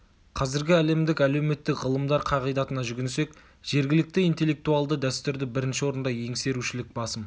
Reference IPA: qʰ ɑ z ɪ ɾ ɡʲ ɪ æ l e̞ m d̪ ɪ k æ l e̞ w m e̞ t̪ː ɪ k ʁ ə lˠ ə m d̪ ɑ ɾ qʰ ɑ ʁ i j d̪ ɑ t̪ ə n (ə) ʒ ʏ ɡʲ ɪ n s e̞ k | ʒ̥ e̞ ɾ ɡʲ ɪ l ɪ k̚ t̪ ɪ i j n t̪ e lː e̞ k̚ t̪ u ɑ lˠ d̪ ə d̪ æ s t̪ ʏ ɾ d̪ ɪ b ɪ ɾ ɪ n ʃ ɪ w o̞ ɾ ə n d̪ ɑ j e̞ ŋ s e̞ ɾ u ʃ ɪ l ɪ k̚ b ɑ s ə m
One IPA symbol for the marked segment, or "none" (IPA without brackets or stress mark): ɑ